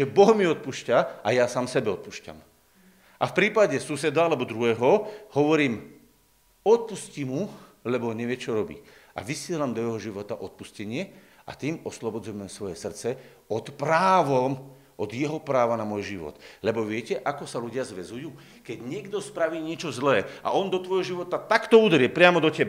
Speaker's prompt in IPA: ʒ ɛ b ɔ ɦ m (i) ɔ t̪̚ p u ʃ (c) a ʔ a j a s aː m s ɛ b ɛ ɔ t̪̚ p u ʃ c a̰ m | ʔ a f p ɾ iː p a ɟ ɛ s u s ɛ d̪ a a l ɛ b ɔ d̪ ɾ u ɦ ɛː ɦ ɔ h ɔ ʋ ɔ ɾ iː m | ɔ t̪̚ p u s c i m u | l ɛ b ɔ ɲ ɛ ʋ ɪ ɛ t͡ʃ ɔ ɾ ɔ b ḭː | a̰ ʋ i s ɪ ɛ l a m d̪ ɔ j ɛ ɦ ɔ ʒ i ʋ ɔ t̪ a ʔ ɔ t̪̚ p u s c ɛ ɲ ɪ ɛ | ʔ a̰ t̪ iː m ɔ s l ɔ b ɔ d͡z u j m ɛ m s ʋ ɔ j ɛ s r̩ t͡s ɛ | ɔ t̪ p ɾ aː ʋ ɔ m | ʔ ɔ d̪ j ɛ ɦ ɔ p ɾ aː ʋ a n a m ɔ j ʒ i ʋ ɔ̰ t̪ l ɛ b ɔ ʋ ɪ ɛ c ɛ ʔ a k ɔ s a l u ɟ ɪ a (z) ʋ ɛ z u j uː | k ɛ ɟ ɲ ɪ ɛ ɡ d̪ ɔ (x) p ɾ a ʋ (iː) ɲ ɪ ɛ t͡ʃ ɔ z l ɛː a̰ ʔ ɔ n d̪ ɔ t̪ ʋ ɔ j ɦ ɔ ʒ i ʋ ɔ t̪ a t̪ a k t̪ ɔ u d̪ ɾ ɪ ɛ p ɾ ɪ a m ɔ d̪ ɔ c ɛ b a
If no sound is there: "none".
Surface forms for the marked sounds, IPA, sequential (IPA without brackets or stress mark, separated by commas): i, c, z, s, iː